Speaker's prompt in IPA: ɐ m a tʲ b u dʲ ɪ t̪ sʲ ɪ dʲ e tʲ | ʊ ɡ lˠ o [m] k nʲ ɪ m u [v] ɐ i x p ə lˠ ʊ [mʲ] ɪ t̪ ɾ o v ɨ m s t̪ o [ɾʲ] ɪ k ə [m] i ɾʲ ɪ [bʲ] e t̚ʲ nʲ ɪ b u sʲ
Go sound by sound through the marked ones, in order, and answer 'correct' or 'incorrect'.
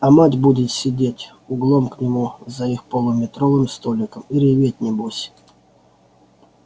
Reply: correct, incorrect: z, correct, incorrect: lʲ, correct, incorrect: vʲ

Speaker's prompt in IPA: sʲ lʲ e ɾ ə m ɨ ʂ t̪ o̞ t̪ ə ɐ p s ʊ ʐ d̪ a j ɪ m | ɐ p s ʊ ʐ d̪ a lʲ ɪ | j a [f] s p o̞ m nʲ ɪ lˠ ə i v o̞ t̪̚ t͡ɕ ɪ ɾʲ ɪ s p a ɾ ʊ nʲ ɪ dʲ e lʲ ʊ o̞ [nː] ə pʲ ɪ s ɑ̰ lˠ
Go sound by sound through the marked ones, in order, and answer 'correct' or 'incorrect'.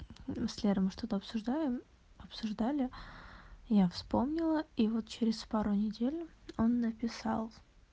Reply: correct, correct

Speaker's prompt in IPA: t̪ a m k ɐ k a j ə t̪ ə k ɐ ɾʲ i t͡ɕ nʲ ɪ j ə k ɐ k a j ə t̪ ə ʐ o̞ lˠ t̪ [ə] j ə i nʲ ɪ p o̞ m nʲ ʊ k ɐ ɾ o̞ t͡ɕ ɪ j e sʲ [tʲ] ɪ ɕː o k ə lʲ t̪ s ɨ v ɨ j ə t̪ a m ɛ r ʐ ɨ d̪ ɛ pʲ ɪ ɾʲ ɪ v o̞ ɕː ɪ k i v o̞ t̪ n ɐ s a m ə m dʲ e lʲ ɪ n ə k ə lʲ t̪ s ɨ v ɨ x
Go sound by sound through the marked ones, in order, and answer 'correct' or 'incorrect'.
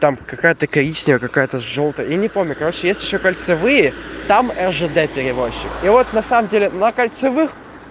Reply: correct, correct

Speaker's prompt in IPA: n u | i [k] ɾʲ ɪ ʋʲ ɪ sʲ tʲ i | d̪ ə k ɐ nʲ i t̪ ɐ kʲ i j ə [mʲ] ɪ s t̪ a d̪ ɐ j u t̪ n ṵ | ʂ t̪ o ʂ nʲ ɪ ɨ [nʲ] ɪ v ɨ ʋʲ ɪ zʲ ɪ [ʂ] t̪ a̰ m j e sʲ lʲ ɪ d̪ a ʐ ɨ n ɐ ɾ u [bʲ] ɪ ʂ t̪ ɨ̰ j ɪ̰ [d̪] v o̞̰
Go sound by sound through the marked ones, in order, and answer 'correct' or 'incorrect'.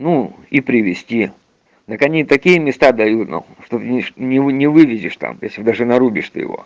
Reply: incorrect: p, correct, correct, correct, correct, incorrect: none

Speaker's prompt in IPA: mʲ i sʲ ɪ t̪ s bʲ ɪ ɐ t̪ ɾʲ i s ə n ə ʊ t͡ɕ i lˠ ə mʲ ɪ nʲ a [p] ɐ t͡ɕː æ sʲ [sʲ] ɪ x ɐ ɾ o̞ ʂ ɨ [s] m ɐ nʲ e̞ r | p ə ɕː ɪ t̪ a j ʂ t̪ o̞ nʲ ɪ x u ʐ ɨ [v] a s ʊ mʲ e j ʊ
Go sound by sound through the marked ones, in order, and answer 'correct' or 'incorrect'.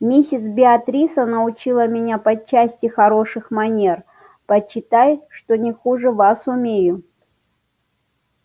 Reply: correct, incorrect: tʲ, incorrect: x, correct

